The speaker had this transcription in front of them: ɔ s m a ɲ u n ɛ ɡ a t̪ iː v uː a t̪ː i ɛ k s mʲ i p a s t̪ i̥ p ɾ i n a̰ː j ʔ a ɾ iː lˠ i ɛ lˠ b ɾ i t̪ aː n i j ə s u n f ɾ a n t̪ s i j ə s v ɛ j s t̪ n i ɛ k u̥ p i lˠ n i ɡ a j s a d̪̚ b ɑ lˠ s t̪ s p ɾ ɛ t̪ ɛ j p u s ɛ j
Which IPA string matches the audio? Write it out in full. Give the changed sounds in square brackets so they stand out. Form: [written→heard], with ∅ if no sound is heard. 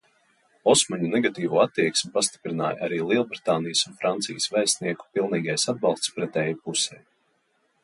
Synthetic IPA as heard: ɔ s m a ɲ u n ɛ ɡ a t̪ iː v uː a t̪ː i ɛ k s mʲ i p a s t̪ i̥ p ɾ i n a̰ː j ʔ a ɾ iː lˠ i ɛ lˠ b ɾ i t̪ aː n i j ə s u n f ɾ a n t̪ s i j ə s v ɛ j s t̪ n i ɛ k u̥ p i lˠ n [i→iː] ɡ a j s a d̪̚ b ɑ lˠ s t̪ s p ɾ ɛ t̪ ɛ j p u s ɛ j